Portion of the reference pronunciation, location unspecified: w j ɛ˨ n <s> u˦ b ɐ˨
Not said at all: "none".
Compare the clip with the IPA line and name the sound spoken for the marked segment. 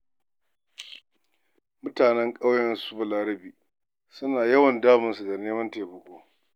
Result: s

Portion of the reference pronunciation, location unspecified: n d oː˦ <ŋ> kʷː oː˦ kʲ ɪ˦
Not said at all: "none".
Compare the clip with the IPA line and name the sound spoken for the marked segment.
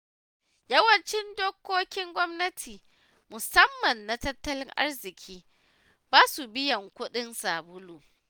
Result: none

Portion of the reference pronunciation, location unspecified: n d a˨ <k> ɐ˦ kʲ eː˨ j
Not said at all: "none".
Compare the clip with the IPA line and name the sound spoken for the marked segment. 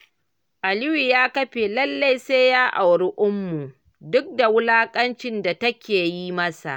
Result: t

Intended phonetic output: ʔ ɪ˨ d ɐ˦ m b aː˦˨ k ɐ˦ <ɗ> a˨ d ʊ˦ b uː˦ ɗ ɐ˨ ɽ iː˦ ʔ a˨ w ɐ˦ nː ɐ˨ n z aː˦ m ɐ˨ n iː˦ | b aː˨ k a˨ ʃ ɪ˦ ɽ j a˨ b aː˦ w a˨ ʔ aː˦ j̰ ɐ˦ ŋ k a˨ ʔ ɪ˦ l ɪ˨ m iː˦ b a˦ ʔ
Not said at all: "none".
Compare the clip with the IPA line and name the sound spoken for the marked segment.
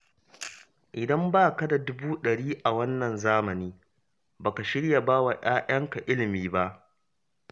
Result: d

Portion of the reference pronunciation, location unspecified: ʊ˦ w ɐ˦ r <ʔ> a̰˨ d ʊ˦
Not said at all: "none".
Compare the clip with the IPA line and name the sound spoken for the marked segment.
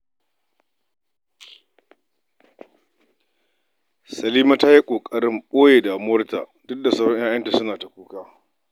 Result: t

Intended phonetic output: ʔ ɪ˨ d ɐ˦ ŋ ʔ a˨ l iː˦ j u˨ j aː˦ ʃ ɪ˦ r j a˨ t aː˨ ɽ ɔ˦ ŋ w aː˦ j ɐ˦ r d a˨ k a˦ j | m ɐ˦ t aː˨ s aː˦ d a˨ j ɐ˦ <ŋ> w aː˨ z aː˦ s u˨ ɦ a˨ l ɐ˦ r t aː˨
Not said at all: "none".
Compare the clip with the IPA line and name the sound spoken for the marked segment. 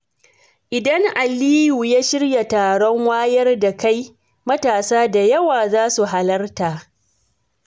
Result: none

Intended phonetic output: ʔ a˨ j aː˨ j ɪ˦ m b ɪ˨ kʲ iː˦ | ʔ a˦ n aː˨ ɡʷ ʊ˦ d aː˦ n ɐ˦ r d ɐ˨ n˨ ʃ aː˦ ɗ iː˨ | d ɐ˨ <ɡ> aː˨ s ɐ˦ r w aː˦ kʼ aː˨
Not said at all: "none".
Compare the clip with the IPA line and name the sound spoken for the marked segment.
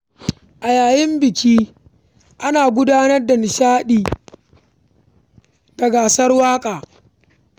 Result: ɡ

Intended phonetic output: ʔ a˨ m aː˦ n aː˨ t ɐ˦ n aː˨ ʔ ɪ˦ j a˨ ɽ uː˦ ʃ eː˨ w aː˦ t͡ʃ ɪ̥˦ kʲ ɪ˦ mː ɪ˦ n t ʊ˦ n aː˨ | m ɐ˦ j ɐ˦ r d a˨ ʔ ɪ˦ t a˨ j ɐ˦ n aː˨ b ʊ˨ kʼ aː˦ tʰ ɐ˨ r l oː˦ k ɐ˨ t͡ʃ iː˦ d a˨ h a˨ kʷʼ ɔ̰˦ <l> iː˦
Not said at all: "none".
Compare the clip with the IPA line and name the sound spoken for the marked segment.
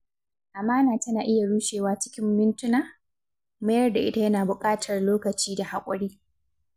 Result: ɽ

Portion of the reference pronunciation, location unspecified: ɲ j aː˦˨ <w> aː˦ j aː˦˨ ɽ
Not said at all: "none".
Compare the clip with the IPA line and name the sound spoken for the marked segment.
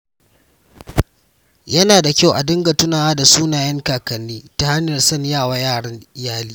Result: w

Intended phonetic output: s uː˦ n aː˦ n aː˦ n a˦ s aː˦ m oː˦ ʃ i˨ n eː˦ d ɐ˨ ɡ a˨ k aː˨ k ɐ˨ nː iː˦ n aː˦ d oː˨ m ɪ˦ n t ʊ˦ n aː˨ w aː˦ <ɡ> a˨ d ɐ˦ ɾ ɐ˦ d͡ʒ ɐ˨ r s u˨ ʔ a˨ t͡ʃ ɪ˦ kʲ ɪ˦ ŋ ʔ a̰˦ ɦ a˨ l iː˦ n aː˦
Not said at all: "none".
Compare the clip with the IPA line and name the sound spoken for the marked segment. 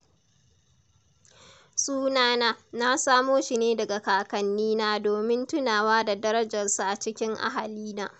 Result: d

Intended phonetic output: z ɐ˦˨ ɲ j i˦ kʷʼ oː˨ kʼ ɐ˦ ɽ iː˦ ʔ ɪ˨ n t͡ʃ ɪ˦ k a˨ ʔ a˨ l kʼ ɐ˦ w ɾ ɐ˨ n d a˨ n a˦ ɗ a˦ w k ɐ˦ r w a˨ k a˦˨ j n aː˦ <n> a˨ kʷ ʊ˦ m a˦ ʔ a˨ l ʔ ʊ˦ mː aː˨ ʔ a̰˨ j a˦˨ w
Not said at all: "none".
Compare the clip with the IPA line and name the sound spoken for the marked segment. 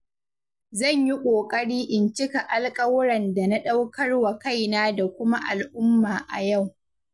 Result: d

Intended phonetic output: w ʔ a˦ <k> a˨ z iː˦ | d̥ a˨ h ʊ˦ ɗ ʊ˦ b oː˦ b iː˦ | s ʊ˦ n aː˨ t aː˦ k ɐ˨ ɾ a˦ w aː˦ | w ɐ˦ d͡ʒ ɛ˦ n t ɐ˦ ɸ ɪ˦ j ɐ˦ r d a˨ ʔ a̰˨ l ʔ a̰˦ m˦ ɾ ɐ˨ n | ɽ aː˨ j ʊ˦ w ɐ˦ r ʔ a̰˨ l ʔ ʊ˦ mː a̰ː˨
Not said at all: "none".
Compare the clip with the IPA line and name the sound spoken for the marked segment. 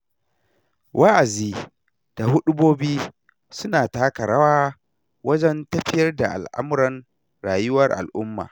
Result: ʔ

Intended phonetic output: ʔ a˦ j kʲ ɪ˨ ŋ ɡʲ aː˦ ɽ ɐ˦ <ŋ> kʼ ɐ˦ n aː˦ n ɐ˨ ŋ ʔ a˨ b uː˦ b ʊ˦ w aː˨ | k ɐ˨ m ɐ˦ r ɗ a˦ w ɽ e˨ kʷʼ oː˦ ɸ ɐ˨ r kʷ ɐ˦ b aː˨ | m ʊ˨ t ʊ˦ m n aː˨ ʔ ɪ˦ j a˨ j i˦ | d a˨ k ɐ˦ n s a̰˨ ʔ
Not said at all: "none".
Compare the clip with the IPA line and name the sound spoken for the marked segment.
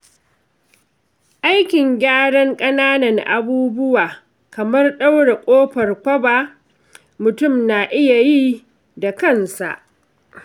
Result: ŋ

